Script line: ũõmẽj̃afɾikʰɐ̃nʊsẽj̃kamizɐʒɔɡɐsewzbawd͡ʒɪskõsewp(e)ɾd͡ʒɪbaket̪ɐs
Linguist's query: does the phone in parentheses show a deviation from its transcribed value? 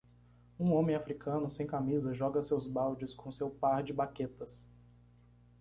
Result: yes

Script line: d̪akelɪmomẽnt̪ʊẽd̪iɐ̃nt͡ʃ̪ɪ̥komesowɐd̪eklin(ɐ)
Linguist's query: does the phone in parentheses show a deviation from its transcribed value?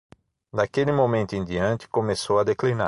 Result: yes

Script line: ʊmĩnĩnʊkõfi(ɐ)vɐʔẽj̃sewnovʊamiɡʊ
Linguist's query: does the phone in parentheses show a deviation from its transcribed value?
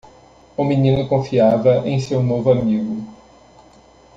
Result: yes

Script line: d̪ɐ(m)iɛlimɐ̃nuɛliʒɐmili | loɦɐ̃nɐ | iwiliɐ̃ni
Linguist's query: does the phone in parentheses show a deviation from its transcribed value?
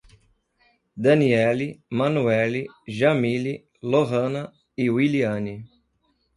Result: yes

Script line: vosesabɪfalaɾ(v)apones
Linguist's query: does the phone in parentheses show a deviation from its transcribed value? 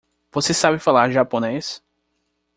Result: yes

